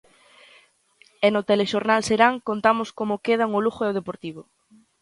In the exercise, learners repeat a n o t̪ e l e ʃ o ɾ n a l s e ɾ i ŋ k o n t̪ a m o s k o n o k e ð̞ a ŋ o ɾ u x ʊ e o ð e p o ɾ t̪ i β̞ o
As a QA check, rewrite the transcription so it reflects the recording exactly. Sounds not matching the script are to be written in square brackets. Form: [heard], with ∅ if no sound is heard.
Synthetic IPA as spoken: [e] n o t̪ e l e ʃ o ɾ n a l s e ɾ [a] ŋ k o n t̪ a m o s k o [m] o k e ð̞ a ŋ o [l] u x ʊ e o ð e p o ɾ t̪ i β̞ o